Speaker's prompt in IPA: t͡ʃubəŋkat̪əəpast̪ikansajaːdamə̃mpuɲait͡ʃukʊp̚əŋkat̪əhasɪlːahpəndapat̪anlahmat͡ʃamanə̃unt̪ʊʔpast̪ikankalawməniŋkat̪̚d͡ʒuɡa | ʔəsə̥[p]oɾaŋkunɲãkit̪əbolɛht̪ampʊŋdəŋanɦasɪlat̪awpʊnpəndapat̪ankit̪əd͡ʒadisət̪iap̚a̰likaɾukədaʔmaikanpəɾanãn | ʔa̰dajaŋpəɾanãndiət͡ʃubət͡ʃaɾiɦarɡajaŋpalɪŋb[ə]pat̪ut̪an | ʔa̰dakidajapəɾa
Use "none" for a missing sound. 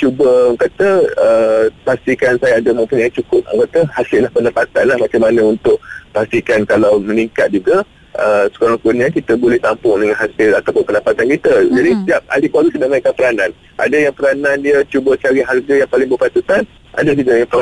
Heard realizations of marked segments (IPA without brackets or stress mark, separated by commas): k, ə